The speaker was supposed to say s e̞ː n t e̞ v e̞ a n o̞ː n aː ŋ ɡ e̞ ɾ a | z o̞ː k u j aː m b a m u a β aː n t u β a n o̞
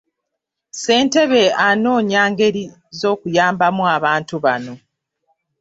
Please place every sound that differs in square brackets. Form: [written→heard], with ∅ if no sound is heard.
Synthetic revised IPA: s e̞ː n t e̞ [v→β] e̞ a n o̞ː [n→ɲ] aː ŋ ɡ e̞ ɾ [a→i] | z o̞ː k u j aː m b a m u a β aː n t u β a n o̞

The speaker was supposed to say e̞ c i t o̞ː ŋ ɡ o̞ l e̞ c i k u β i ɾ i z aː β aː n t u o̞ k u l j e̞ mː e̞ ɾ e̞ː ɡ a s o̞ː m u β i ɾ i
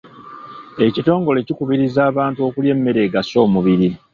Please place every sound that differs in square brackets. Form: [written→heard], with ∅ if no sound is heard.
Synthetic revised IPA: e̞ c i t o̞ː ŋ ɡ o̞ l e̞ c i k u β i ɾ i z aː β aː n t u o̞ k u l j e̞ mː e̞ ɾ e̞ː ɡ a s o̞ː m u β i ɾ i

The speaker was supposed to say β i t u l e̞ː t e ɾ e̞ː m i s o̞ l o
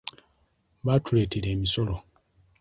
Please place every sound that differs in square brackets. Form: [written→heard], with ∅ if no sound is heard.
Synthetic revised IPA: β [i→a] t u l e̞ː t e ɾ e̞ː m i s o̞ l o

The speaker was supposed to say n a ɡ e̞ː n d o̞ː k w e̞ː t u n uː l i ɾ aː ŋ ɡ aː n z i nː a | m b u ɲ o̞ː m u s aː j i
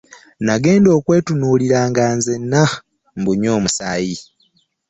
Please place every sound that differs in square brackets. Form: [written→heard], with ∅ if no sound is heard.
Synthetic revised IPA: n a ɡ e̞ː n d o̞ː k w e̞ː t u n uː l i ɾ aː ŋ ɡ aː n z [i→e] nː a | m b u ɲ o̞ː m u s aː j i

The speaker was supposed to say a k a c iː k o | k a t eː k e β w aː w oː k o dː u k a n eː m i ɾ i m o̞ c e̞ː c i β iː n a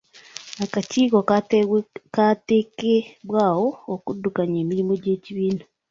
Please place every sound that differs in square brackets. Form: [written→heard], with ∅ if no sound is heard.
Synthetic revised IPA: a k a c iː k o | k a t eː k e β w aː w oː k [o→u] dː u k a [n→ɲ] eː m i ɾ i m o̞ [c→ɟ] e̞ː c i β iː n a

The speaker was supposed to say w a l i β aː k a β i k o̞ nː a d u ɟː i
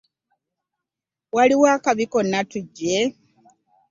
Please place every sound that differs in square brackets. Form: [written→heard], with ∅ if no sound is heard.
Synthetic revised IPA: w a l i [β→w] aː k a β i k o̞ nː a [d→t] u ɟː [i→e]

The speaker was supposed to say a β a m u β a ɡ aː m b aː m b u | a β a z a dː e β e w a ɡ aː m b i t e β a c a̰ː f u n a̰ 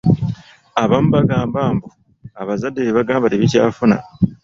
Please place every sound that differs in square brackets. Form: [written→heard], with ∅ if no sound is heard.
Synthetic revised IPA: a β a m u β a ɡ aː m b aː m b u | a β a z a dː e β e [w→β] a ɡ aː m b [i→a] t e β [a→i] c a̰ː f u n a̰

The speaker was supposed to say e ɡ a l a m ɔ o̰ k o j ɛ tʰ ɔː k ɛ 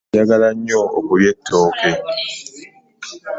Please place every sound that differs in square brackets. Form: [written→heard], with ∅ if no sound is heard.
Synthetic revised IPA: [e→a] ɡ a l a [m→ɲ] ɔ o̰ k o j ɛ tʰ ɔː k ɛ

